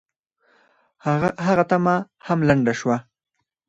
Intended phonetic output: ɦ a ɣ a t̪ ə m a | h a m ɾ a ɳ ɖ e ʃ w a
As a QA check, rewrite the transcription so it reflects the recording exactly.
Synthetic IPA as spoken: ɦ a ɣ a t̪ a m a | h a m l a ɳ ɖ a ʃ w a